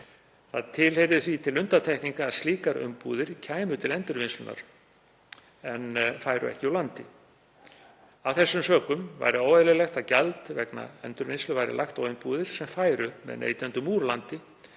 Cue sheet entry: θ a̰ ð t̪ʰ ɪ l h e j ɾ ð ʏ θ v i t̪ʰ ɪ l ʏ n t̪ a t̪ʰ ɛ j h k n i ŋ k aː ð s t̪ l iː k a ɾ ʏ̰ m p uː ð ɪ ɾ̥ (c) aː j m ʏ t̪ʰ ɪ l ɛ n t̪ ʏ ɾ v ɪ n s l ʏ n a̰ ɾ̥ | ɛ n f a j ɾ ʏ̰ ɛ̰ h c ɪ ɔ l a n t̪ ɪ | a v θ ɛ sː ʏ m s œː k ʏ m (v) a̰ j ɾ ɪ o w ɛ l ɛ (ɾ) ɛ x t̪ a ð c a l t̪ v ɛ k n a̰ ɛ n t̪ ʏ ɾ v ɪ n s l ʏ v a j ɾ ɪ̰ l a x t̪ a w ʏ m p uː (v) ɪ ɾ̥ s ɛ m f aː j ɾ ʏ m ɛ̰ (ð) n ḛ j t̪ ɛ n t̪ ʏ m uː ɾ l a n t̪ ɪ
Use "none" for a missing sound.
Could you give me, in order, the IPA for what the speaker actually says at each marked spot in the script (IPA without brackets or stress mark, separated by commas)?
cʰ, v, l, ð, ð